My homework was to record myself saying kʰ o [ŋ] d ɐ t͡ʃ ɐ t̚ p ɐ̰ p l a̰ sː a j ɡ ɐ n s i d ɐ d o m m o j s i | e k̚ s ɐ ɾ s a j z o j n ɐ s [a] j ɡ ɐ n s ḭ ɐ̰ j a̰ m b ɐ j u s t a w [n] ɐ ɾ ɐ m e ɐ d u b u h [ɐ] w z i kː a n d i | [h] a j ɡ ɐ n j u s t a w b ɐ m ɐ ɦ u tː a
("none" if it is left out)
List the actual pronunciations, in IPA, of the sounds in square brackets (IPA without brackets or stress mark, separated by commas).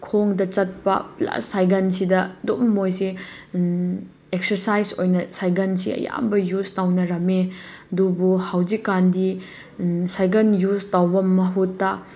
ŋ, a, n, a, s